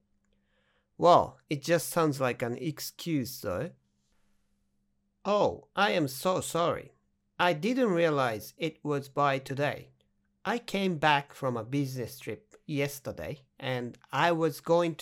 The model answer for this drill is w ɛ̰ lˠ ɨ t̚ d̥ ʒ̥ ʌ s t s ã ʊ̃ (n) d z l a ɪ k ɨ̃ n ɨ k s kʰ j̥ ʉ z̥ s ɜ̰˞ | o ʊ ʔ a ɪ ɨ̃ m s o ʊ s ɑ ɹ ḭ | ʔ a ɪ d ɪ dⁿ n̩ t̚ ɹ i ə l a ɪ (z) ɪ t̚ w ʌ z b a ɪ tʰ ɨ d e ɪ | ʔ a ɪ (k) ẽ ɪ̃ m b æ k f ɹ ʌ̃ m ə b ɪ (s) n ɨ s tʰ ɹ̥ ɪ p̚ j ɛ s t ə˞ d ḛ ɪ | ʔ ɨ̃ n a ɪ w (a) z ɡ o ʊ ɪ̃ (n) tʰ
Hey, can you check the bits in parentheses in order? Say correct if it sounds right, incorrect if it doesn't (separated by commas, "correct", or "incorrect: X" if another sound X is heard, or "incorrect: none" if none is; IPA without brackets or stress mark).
correct, correct, incorrect: kʰ, incorrect: z, incorrect: ʌ, incorrect: ŋ